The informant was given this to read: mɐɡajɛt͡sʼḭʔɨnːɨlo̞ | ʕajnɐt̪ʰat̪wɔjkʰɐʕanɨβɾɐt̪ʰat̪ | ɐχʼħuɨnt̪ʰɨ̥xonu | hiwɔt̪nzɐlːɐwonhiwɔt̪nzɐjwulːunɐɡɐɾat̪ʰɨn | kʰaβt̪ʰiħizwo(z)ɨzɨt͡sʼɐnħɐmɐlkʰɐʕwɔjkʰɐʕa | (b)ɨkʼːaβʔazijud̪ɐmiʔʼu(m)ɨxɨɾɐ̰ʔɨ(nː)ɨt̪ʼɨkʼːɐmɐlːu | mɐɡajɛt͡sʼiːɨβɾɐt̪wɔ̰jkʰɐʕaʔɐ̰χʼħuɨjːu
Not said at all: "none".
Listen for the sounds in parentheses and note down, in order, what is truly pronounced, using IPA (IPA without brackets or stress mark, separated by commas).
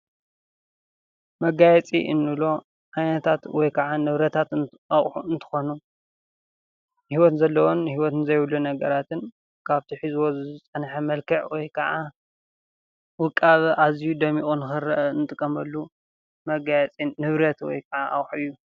z, w, n, n